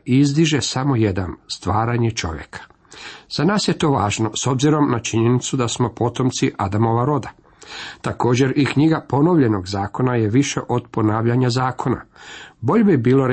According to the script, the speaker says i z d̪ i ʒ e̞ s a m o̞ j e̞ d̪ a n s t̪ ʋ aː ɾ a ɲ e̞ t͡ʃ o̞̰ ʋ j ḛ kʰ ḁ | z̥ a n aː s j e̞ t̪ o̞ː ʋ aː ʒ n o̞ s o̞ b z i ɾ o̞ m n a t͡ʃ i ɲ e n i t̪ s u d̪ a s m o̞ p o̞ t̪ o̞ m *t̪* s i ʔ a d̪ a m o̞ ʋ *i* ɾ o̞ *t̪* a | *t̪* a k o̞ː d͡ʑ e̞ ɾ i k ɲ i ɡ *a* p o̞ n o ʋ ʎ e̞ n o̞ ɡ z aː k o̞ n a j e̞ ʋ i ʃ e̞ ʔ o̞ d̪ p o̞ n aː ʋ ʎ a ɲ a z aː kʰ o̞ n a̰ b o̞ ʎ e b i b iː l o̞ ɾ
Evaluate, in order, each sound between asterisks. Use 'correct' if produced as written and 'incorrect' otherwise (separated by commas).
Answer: correct, incorrect, incorrect, correct, correct